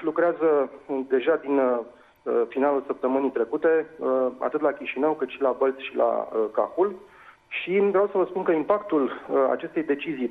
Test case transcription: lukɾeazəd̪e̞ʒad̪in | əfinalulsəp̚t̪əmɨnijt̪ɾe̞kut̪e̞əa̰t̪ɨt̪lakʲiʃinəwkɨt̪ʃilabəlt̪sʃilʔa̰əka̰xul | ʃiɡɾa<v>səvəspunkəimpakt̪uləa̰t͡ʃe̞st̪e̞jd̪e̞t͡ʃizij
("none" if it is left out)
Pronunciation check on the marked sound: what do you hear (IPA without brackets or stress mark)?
w